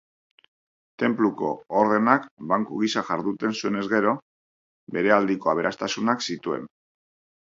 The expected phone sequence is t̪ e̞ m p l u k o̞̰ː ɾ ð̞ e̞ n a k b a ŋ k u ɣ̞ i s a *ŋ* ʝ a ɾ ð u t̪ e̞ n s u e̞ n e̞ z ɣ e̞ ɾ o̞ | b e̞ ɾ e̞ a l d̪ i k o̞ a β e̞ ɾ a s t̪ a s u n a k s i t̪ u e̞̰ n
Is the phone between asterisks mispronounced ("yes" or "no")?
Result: yes